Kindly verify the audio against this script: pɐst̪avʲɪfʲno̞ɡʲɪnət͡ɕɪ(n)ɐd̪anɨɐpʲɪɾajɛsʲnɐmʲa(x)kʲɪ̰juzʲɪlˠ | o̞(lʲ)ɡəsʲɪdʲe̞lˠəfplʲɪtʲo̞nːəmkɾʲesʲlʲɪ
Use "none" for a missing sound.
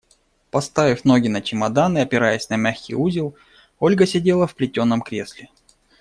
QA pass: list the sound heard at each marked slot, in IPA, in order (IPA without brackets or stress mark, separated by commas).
m, x, lʲ